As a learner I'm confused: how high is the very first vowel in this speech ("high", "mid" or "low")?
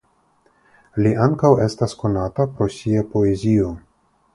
high